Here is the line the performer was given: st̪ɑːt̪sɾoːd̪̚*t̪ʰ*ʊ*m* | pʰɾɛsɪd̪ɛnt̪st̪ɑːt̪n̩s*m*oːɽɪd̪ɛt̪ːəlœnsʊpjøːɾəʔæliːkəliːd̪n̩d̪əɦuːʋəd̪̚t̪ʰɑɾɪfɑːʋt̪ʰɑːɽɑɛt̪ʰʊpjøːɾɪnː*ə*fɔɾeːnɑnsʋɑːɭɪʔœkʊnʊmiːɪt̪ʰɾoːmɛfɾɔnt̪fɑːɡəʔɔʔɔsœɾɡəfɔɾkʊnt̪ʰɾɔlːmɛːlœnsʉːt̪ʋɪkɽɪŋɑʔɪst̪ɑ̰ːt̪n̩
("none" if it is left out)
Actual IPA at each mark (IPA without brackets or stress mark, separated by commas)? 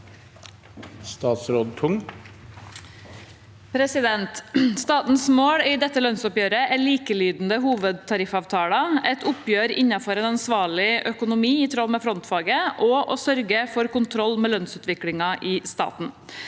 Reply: t̪ʰ, ŋ, m, ɑ